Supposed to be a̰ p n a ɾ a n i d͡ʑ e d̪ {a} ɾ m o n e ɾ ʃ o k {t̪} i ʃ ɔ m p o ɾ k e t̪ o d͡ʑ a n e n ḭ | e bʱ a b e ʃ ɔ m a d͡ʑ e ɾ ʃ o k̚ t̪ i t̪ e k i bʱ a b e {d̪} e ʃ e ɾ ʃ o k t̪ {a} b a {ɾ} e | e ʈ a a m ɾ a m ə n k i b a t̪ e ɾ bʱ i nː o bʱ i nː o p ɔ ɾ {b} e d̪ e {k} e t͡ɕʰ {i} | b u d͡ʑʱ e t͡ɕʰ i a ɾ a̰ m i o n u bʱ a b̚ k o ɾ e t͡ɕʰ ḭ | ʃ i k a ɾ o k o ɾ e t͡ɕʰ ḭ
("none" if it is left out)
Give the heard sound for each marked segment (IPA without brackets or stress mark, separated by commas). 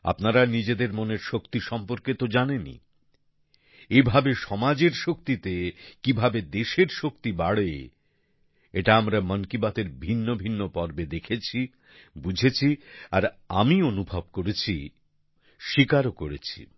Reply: e, t̪, d̪, i, ɽ, b, kʰ, i